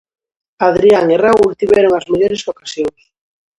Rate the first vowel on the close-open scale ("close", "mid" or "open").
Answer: open